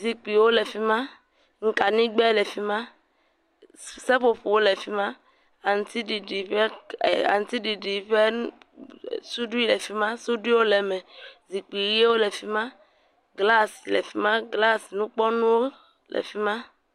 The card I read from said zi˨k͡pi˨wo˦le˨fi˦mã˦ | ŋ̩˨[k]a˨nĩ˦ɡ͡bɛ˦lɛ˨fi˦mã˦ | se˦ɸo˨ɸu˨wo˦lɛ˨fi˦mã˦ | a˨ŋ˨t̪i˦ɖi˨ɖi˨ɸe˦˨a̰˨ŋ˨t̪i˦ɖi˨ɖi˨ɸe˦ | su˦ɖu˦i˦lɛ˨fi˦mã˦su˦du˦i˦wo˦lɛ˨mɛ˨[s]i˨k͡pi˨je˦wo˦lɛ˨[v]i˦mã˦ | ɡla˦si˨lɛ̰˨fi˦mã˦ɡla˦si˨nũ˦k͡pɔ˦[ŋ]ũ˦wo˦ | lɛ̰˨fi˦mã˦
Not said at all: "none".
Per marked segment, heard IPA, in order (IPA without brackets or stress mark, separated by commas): k, z, f, n